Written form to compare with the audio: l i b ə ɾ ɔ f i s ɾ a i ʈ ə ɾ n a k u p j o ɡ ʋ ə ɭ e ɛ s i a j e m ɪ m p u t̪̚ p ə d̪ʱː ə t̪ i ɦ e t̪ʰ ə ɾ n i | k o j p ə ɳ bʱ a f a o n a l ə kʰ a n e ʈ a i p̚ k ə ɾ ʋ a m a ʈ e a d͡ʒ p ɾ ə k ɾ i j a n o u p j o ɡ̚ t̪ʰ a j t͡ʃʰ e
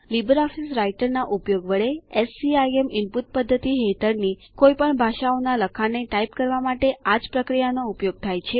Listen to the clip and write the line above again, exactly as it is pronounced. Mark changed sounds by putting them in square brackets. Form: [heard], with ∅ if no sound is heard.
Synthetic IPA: l i b ə ɾ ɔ f i s ɾ a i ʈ ə ɾ n a [ʔ] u p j o ɡ ʋ ə ɭ e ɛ s i a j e m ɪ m p u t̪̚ p ə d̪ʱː ə t̪ i ɦ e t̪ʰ ə ɾ n i | k o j p ə ɳ bʱ a [ʃ] a o n a l ə kʰ a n e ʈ a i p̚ k ə ɾ ʋ a m a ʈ e a d͡ʒ p ɾ ə k ɾ i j a n o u p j o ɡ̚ t̪ʰ a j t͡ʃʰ e